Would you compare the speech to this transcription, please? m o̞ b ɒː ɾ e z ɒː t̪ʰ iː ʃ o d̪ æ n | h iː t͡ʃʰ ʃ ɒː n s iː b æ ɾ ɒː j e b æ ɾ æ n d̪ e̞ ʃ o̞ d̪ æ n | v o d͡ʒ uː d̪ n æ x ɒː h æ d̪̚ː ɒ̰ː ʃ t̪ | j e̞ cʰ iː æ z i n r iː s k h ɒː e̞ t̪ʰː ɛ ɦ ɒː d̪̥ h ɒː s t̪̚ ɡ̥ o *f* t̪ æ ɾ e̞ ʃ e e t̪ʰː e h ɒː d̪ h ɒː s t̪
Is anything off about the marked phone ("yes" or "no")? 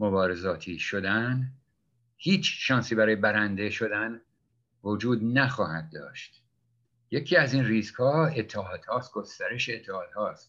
yes